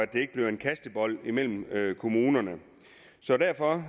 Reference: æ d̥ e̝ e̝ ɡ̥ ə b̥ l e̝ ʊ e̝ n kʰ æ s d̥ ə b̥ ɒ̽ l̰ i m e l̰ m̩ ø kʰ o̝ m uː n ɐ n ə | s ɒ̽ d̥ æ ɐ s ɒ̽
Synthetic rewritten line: æ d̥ e̝ e̝ ɡ̥ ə b̥ l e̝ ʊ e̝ n kʰ æ s d̥ ə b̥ ɒ̽ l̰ i m e l̰ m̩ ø kʰ o̝ m uː n ɐ n ə | s ɒ̽ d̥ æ ɐ f ɒ̽